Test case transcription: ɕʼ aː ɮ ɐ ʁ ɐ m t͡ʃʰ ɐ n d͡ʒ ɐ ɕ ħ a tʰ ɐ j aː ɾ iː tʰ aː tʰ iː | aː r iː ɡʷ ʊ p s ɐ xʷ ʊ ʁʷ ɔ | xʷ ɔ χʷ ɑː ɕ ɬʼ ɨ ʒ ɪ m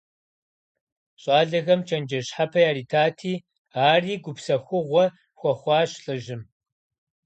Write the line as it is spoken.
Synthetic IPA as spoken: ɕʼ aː ɮ ɐ ɣ ɐ m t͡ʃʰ ɐ n d͡ʒ ɐ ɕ ħ a pʰ ɐ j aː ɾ iː tʰ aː tʰ iː | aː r iː ɡʷ ʊ p s ɐ xʷ ʊ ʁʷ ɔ | xʷ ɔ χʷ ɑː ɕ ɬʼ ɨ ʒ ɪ m